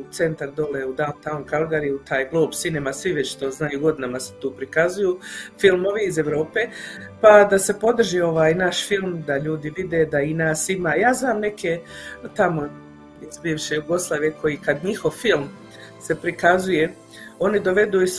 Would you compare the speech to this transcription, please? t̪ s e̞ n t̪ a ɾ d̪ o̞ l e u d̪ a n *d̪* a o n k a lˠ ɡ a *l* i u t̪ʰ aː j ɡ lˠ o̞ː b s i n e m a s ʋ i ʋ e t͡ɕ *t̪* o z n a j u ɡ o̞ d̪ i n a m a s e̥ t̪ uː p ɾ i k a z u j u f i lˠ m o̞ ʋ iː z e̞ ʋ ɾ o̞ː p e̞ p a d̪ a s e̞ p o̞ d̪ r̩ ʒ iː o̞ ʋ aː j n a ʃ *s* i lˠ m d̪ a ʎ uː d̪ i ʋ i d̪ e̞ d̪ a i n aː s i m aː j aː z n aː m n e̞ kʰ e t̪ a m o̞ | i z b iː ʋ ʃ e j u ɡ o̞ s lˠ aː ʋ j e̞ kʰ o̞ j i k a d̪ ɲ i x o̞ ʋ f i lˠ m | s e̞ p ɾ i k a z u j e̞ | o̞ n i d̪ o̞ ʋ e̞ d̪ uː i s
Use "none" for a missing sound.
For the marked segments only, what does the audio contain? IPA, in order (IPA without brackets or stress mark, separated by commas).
t̪, ɾ, t̪, f